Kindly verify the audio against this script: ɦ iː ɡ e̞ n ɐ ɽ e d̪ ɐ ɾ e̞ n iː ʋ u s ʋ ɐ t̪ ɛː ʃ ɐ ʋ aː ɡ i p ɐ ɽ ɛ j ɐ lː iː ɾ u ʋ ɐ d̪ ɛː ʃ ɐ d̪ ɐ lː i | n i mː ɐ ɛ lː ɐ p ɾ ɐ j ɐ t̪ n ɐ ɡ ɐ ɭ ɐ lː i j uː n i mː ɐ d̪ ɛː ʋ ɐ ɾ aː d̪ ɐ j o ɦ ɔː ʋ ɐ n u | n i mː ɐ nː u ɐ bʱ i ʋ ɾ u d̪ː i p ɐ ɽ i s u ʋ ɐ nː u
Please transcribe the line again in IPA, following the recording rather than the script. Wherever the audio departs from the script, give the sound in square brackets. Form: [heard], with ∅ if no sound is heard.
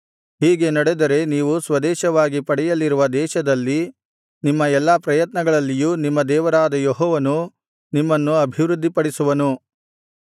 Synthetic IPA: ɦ iː ɡ e̞ n ɐ ɽ e d̪ ɐ ɾ e̞ n iː ʋ u s ʋ ɐ [d̪] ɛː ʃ ɐ ʋ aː ɡ i p ɐ ɽ ɛ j ɐ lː [i] ɾ u ʋ ɐ d̪ ɛː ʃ ɐ d̪ ɐ lː i | n i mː ɐ ɛ lː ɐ p ɾ ɐ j ɐ t̪ n ɐ ɡ ɐ ɭ ɐ lː i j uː n i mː ɐ d̪ ɛː ʋ ɐ ɾ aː d̪ ɐ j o ɦ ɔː ʋ ɐ n u | n i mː ɐ nː u ɐ bʱ i ʋ ɾ u d̪ː i p ɐ ɽ i s u ʋ ɐ [n] u